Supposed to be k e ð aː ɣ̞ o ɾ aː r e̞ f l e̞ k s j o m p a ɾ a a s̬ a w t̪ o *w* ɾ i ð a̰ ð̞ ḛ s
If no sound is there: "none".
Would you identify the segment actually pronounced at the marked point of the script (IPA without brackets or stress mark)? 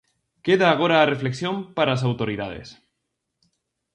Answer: none